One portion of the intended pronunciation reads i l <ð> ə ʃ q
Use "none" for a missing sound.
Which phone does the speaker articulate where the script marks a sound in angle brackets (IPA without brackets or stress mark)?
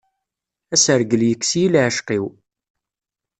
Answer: ʕ